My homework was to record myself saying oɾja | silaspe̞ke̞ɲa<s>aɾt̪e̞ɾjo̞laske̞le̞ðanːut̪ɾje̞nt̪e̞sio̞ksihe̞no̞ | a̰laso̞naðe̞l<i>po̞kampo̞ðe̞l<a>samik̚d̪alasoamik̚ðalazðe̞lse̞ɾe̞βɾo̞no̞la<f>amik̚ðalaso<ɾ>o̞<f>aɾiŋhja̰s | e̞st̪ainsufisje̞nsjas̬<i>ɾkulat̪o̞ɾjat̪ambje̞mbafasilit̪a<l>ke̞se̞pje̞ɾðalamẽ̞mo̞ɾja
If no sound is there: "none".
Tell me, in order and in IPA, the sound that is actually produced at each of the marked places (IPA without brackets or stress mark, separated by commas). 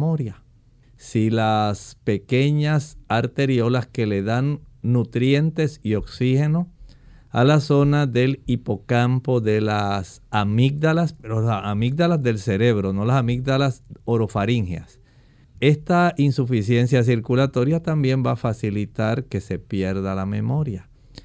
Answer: s, i, a, s, ɾ, f, i, ɾ